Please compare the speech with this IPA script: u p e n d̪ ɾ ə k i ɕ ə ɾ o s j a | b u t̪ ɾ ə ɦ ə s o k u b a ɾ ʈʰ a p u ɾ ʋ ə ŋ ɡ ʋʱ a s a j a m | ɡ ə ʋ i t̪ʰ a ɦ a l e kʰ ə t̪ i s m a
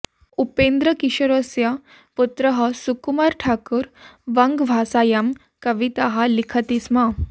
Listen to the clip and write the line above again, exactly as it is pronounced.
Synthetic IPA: u p e n d̪ ɾ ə k i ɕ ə ɾ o s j a | p u t̪ ɾ ə ɦ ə s u k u m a ɾ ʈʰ a k u ɾ ʋ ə ŋ ɡ ʋʱ a s a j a m | k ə ʋ i t̪ a ɦ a l i kʰ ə t̪ i s m a

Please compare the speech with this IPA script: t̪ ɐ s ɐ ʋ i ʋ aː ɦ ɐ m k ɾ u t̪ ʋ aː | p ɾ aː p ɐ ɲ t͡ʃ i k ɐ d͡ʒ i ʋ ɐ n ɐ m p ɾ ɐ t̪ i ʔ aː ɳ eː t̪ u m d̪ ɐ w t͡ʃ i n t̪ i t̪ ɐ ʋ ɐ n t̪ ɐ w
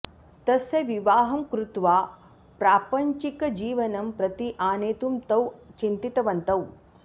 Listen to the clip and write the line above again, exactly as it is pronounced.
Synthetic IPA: t̪ ɐ s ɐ ʋ i ʋ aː ɦ ɐ m k ɾ u t̪ ʋ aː | p ɾ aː p ɐ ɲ t͡ʃ i k ɐ d͡ʒ iː ʋ ɐ n ɐ m p ɾ ɐ t̪ i ʔ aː n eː t̪ u m t̪ ɐ w t͡ʃ i n t̪ i t̪ ɐ ʋ ɐ n t̪ ɐ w

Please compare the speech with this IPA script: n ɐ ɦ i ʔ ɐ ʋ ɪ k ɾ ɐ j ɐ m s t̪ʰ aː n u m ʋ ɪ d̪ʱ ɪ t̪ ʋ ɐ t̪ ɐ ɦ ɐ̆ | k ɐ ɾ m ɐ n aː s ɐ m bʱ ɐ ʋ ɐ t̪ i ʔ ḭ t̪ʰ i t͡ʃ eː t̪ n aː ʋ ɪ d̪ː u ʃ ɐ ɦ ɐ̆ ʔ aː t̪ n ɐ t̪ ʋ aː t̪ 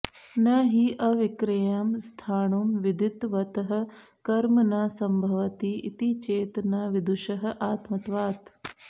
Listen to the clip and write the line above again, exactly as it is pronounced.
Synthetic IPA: n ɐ ɦ i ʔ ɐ ʋ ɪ k ɾ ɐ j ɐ m s t̪ʰ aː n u m ʋ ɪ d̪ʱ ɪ t̪ ʋ ɐ t̪ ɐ ɦ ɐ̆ | k ɐ ɾ m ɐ n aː s ɐ m bʱ ɐ ʋ ɐ t̪ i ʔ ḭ t̪ i t͡ʃ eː t̪ n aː ʋ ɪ d̪ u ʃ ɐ ɦ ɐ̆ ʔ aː t̪ m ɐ t̪ ʋ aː t̪

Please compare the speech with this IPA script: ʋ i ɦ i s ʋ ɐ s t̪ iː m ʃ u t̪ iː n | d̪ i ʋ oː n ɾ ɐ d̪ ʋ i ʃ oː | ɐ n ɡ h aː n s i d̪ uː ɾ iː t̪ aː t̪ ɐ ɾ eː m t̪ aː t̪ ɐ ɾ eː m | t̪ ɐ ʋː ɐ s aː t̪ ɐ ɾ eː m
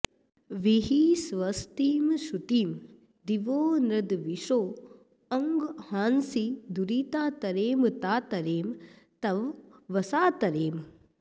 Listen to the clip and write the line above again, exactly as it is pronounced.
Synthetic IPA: ʋ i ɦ i s ʋ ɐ s t̪ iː m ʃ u t̪ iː m | d̪ i ʋ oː n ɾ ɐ d̪ ʋ i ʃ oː | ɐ ŋ ɡ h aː n s i d̪ u ɾ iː t̪ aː t̪ ɐ ɾ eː m t̪ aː t̪ ɐ ɾ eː m | t̪ ɐ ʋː ɐ s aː t̪ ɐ ɾ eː m

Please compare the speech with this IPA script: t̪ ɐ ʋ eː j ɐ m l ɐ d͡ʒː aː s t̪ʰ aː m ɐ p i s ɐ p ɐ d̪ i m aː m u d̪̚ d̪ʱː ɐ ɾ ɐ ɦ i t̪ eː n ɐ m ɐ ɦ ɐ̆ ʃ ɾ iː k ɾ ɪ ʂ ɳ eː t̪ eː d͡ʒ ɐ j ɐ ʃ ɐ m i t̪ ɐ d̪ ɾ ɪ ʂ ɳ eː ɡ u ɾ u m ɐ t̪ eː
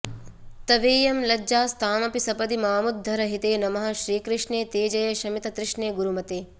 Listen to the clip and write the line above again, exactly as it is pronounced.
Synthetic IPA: t̪ ɐ ʋ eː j ɐ m l ɐ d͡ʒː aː s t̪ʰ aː m ɐ p i s ɐ p ɐ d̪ i m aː m u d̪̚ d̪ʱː ɐ ɾ ɐ ɦ i t̪ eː n ɐ m ɐ ɦ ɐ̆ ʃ ɾ iː k ɾ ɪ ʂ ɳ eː t̪ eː d͡ʒ ɐ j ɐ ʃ ɐ m i t̪ ɐ t̪ ɾ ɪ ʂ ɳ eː ɡ u ɾ u m ɐ t̪ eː

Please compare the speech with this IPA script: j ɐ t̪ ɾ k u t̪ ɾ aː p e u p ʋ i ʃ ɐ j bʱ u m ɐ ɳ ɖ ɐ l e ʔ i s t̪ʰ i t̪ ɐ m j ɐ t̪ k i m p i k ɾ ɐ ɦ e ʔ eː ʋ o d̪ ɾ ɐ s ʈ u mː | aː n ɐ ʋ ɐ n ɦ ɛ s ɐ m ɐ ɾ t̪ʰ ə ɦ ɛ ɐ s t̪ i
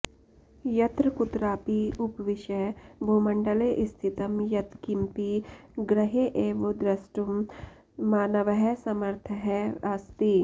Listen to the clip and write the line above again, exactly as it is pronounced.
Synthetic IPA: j ɐ t̪ ɾ k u t̪ ɾ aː p i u p ʋ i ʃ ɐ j bʱ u m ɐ ɳ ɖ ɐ l e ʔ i s t̪ʰ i t̪ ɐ m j ɐ t̪ k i m p i ɡ ɾ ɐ ɦ e ʔ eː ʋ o d̪ ɾ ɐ s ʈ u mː | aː n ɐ ʋ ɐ ɦ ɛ s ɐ m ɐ ɾ t̪ʰ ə ɦ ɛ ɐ s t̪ i

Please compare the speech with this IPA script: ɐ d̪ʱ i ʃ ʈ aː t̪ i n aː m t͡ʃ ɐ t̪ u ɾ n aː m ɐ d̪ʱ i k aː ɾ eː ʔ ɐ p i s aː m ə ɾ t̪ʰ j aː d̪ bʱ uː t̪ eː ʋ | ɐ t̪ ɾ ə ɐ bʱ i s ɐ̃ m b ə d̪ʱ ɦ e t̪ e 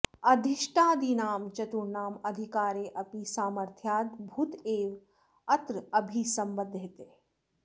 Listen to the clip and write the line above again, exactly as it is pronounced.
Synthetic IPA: ɐ d̪ʱ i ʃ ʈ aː d̪ i n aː m t͡ʃ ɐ t̪ u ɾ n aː m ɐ d̪ʱ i k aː ɾ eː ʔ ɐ p i s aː m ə ɾ t̪ʰ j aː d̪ bʱ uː t̪ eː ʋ | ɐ t̪ ɾ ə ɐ bʱ i s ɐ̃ m b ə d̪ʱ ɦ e t̪ e

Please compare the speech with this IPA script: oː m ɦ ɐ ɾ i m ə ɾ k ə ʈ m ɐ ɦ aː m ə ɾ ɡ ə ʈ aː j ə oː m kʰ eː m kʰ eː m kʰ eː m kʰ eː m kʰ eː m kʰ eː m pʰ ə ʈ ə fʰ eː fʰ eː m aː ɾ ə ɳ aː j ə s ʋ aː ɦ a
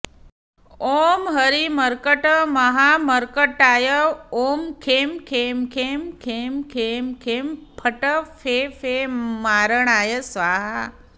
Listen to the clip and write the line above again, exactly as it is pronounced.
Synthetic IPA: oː m ɦ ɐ ɾ i m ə ɾ k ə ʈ m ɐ ɦ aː m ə ɾ k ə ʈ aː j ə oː m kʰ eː m kʰ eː m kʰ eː m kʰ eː m kʰ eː m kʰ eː m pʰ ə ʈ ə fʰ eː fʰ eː m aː ɾ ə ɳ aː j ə s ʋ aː ɦ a

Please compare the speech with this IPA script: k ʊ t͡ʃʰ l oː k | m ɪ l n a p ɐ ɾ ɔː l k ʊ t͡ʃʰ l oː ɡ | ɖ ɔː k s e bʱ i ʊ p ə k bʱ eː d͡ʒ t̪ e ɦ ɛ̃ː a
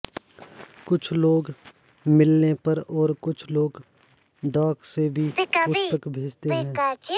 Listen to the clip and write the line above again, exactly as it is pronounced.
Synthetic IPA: k ʊ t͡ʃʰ l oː ɡ | m ɪ l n e p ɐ ɾ ɔː ɾ k ʊ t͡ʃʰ l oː ɡ | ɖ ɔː k s e bʱ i ʊ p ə k bʱ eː d͡ʒ t̪ e ɦ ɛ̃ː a

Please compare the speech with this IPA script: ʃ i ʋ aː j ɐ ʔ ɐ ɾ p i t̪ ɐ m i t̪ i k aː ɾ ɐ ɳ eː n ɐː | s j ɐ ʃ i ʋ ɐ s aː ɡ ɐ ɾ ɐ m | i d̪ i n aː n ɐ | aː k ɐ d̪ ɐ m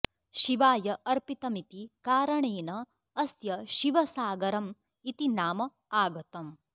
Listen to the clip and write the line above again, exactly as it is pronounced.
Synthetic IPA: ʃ i ʋ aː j ɐ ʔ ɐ ɾ p i t̪ ɐ m i t̪ i k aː ɾ ɐ ɳ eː n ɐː | s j ɐ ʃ i ʋ ɐ s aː ɡ ɐ ɾ ɐ m | i t̪ i n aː m ɐ | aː ɡ ɐ t̪ ɐ m

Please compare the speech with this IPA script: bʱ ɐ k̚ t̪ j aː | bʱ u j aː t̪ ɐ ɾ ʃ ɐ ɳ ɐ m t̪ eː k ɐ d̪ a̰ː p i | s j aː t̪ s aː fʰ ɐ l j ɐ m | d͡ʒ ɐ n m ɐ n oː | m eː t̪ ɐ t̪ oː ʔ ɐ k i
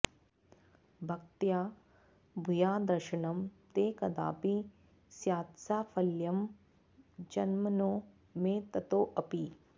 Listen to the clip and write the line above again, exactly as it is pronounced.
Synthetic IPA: bʱ ɐ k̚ t̪ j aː | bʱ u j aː d̪ ɐ ɾ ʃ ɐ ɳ ɐ m t̪ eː k ɐ d̪ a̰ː p i | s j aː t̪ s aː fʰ ɐ l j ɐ m | d͡ʒ ɐ n m ɐ n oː | m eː t̪ ɐ t̪ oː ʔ ɐ p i

